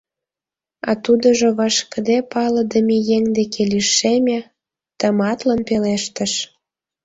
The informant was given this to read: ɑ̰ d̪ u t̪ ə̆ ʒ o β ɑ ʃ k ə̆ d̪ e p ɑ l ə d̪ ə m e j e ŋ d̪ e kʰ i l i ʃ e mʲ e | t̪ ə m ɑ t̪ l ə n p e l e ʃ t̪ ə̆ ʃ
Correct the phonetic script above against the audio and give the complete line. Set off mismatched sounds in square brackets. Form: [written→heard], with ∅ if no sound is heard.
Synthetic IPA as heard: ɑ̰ [d̪→t̪] u [t̪→d̪] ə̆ ʒ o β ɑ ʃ k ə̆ d̪ e p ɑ l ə d̪ ə m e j e ŋ d̪ e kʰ [i→e] l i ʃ e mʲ e | t̪ ə m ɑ t̪ l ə n p e l e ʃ t̪ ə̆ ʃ

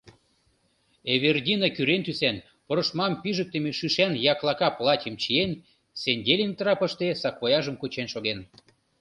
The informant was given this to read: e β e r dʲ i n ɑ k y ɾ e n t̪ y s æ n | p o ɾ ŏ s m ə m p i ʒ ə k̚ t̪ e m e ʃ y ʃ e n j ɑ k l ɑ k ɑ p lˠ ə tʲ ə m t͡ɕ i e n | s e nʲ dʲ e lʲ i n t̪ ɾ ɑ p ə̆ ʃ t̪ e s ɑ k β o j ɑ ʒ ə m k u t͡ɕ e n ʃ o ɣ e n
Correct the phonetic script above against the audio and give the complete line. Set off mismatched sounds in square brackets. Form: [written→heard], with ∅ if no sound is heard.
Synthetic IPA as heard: e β e r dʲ i n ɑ k y ɾ e n t̪ y s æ n | p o ɾ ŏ [s→ʃ] m [ə→ɑ] m p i ʒ ə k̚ t̪ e m e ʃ y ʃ [e→æ] n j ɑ k l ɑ k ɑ p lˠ [ə→ɑ] tʲ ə m t͡ɕ i e n | s e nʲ dʲ e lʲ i n t̪ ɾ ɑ p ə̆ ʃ t̪ e s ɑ k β o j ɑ ʒ ə m k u t͡ɕ e n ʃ o ɣ e n

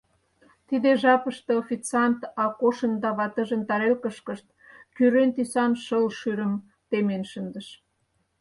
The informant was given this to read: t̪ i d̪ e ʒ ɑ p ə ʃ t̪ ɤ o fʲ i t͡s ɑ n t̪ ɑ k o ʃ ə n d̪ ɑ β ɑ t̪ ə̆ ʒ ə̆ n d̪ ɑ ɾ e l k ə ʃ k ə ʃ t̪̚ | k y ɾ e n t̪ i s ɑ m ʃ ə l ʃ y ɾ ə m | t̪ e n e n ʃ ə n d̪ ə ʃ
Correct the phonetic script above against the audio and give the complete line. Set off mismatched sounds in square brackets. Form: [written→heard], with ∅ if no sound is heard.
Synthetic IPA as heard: t̪ i d̪ e ʒ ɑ p ə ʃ t̪ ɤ o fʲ i t͡s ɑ n t̪ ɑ k o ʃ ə n d̪ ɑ β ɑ t̪ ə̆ ʒ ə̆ n [d̪→t̪] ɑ ɾ e l k ə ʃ k ə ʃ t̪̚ | k y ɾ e n t̪ i s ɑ [m→n] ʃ ə l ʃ y ɾ ə m | t̪ e [n→m] e n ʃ ə n d̪ ə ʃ

